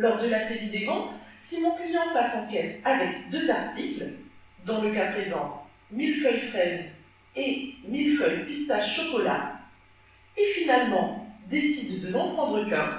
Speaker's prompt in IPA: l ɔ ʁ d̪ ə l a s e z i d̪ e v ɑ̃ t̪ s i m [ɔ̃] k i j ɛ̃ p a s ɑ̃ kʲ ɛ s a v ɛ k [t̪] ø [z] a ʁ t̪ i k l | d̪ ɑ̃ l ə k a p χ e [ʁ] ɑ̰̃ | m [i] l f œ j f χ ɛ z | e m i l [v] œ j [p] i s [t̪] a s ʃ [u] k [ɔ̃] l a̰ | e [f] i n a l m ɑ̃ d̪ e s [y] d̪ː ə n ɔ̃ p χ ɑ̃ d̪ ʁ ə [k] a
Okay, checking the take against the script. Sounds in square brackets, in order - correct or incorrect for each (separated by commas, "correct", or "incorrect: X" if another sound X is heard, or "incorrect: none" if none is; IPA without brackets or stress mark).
correct, incorrect: d̪, correct, incorrect: z, correct, incorrect: f, correct, correct, incorrect: ɔ, incorrect: ɔ, correct, incorrect: i, correct